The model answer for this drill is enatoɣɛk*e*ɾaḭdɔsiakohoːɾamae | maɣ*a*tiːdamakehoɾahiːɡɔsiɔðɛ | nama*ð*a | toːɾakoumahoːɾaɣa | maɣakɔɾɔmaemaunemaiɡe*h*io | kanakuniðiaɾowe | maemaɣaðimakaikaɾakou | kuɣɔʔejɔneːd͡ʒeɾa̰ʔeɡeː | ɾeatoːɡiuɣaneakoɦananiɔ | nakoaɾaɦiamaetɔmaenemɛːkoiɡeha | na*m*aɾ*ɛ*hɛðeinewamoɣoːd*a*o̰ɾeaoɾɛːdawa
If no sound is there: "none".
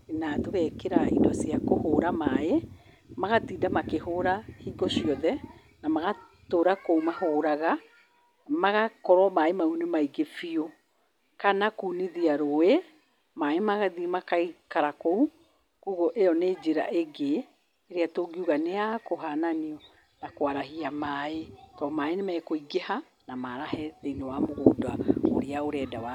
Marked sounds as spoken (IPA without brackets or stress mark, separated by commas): e, a, ɣ, f, m, a, a